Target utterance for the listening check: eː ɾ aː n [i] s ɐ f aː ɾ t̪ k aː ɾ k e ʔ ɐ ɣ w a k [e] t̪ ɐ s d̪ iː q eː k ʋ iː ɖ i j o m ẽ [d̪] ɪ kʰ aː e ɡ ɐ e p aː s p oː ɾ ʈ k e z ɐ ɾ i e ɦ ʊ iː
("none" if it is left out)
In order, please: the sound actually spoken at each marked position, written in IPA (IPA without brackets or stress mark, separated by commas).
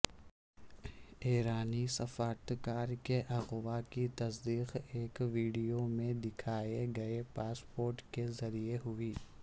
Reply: i, i, d̪